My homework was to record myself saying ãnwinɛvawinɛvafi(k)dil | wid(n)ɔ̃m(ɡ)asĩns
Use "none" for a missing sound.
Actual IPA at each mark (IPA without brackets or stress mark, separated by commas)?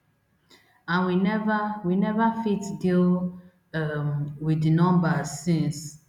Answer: t, n, b